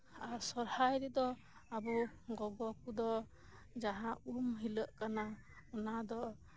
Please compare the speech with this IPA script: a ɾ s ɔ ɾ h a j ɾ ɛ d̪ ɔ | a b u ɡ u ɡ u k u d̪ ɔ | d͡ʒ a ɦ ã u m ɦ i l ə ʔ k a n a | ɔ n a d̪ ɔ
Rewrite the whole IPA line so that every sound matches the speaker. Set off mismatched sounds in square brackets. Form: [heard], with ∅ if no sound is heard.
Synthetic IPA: a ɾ s ɔ ɾ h a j ɾ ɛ d̪ ɔ | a b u ɡ [ɔ] ɡ [ɔ] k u d̪ ɔ | d͡ʒ a ɦ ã u m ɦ i l ə ʔ k a n a | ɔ n a d̪ ɔ